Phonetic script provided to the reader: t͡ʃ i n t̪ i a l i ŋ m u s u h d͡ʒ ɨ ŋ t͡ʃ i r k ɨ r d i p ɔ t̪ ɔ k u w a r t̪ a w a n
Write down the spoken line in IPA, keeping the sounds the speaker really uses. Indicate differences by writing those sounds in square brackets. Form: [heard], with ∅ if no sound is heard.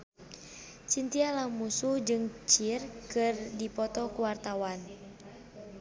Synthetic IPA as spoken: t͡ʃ i n t̪ i a l [a] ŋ m u s u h d͡ʒ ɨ ŋ t͡ʃ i r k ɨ r d i p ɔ t̪ ɔ k u w a r t̪ a w a n